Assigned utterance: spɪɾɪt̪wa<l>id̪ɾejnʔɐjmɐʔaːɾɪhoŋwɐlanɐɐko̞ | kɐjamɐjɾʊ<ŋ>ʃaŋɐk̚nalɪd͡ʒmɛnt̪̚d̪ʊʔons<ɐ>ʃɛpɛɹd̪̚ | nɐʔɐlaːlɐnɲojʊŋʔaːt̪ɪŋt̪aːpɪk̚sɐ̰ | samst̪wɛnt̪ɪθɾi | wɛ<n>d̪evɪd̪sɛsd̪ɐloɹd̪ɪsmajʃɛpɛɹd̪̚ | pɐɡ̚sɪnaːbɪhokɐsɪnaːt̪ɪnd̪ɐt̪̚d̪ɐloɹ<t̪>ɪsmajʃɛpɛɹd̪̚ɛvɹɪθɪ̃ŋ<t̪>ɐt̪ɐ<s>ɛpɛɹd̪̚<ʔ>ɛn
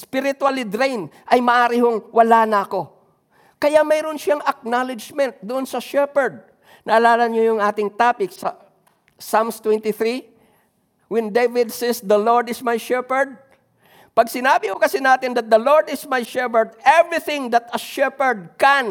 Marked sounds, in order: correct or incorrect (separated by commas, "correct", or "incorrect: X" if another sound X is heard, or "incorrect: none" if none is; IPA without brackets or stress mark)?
correct, incorrect: n, correct, correct, incorrect: d̪, incorrect: d̪, incorrect: ʃ, incorrect: k